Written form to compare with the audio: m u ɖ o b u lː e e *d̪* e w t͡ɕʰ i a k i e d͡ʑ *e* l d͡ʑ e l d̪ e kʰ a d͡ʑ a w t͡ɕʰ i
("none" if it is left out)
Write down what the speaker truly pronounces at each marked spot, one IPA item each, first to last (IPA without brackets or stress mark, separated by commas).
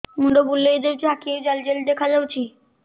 d̪, a